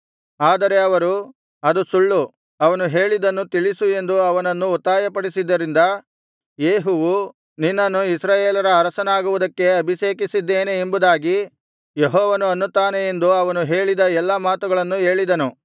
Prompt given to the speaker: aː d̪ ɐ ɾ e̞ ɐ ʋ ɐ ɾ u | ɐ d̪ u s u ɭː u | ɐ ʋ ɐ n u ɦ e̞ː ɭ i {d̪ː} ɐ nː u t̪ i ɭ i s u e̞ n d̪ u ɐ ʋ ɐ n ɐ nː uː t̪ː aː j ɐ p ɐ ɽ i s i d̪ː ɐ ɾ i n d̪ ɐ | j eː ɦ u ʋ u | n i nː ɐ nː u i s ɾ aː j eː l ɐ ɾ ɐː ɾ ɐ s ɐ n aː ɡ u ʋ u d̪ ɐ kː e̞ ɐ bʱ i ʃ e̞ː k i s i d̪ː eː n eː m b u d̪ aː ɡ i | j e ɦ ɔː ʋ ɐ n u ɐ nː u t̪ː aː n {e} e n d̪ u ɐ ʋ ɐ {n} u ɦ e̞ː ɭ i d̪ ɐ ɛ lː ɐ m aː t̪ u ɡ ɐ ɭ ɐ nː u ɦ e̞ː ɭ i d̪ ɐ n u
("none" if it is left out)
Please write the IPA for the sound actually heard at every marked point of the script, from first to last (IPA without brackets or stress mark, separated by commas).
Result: d̪, e, n